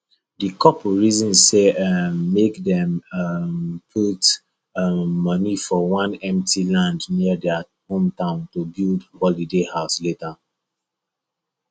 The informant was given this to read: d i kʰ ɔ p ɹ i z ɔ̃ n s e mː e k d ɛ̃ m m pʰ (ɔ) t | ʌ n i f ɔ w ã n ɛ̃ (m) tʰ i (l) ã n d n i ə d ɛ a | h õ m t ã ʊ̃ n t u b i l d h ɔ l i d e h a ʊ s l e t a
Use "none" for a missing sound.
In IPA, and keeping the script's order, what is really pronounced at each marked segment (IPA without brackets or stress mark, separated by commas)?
u, m, l